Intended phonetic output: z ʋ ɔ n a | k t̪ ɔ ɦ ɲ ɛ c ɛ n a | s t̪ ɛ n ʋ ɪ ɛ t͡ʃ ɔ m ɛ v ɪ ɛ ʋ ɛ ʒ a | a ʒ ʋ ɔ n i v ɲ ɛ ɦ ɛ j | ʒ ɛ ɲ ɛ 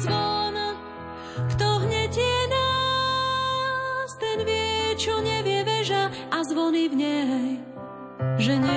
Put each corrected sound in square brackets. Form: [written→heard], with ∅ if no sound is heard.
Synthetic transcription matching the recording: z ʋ ɔ n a | k t̪ ɔ ɦ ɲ ɛ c ɛ n a | s t̪ ɛ n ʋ ɪ ɛ t͡ʃ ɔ [m→ɲ] ɛ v ɪ ɛ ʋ ɛ ʒ a | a [ʒ→z] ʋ ɔ n i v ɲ ɛ ɦ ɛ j | ʒ ɛ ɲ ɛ